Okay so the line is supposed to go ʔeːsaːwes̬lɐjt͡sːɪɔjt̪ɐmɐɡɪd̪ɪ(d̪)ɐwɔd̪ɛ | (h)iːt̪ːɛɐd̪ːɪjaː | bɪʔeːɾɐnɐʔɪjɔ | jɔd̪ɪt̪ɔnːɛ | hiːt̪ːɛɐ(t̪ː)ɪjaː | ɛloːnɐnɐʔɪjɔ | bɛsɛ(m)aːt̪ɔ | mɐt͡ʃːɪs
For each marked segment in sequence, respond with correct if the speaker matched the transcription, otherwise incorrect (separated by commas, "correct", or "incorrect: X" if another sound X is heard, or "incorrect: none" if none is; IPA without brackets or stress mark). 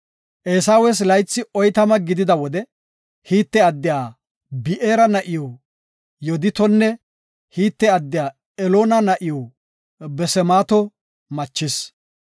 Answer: correct, correct, incorrect: d̪ː, correct